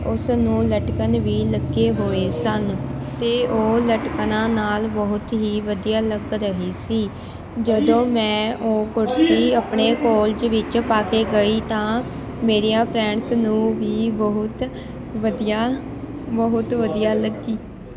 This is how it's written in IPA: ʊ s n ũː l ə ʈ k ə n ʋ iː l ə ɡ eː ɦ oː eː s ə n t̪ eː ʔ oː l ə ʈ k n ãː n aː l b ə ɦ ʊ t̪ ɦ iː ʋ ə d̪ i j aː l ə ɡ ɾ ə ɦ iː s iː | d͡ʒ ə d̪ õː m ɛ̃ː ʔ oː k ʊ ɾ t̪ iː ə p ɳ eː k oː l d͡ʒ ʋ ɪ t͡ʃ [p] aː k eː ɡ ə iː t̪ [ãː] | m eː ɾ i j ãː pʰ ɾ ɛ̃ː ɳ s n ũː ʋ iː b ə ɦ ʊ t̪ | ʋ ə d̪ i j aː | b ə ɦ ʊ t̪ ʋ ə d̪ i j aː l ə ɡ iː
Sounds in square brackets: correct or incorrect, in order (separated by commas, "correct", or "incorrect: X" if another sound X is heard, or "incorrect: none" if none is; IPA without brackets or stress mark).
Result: correct, correct